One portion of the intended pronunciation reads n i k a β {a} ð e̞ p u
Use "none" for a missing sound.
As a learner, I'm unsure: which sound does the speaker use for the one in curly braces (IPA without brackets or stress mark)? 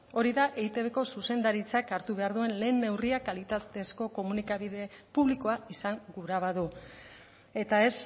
i